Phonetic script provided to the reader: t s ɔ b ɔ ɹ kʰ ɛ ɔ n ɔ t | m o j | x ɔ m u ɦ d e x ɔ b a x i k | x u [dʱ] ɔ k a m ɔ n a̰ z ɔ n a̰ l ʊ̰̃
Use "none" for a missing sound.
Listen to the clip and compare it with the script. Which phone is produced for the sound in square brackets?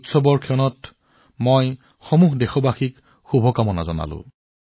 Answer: bʱ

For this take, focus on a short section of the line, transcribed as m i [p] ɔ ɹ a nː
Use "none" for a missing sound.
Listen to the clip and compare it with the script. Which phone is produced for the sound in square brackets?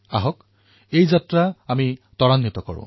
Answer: t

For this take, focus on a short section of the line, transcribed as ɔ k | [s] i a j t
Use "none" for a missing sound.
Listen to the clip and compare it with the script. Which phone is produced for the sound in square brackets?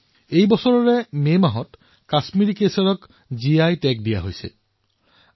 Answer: z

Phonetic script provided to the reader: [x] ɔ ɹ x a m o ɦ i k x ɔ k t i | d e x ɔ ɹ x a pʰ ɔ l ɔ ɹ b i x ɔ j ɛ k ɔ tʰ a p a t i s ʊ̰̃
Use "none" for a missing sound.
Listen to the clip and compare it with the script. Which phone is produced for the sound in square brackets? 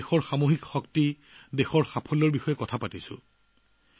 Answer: x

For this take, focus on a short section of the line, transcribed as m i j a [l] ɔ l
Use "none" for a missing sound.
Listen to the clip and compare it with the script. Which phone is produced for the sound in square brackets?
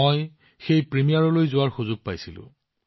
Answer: ɹ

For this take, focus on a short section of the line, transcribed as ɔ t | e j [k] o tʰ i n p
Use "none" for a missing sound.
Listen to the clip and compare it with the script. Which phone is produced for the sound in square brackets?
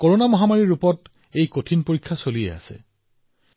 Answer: k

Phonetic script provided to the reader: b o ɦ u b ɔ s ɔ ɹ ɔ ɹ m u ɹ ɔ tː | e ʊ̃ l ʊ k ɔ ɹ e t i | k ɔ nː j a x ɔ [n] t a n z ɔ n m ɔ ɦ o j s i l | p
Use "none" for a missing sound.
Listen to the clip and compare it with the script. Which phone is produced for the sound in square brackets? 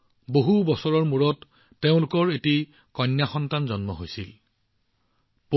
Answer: n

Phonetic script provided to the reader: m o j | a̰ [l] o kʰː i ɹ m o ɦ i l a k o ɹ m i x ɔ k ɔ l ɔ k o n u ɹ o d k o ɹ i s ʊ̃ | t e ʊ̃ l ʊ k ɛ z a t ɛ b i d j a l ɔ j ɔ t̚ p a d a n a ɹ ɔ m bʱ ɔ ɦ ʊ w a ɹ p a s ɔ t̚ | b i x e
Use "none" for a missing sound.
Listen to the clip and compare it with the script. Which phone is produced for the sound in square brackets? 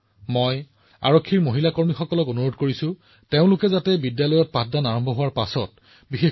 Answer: ɹ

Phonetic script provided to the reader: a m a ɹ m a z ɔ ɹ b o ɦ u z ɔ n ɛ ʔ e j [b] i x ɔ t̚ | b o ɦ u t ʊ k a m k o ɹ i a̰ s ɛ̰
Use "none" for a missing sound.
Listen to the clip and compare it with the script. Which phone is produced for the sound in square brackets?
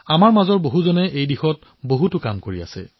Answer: d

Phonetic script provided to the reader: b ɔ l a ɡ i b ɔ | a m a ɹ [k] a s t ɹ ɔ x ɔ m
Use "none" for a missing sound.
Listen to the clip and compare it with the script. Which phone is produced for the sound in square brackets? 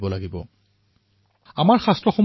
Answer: x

